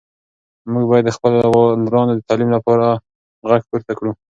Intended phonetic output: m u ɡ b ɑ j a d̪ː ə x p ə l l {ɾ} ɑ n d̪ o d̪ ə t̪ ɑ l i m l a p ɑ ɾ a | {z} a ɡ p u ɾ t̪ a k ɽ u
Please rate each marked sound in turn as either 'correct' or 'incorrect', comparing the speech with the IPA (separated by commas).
correct, incorrect